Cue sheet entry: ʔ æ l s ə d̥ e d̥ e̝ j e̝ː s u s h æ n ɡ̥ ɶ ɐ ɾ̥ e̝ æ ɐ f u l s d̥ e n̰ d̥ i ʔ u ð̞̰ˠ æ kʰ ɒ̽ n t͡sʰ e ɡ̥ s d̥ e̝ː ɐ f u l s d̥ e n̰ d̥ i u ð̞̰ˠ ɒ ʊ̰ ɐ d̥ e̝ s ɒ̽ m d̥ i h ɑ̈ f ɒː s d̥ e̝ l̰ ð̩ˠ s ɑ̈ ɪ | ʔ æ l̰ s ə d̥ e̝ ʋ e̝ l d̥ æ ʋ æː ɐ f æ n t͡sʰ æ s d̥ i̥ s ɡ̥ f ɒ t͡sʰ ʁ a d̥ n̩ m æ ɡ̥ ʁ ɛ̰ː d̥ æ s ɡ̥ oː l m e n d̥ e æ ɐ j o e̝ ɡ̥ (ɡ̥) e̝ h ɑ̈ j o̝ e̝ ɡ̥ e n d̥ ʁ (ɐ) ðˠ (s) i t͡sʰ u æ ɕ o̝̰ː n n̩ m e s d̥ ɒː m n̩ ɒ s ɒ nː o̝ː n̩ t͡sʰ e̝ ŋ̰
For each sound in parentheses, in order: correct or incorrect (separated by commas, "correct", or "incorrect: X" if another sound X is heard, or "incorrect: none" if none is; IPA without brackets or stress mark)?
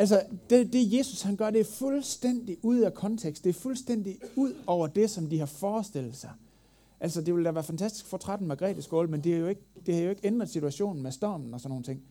incorrect: d̥, correct, correct